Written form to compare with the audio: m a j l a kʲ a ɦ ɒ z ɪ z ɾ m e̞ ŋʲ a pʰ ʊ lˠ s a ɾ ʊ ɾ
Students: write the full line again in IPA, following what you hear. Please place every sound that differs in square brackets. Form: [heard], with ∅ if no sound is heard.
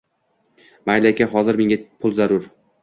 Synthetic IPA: m a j l a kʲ a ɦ ɒ z ɪ [∅] ɾ m e̞ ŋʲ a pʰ ʊ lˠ [z] a ɾ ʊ ɾ